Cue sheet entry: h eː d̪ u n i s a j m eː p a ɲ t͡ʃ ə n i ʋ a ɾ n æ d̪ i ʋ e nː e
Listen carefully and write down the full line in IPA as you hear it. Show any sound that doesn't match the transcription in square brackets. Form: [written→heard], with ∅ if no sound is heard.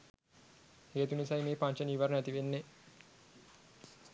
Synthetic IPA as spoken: h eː [d̪→t̪] u n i s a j m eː p a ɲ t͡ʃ ə n i ʋ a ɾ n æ [d̪→t̪] i ʋ e nː e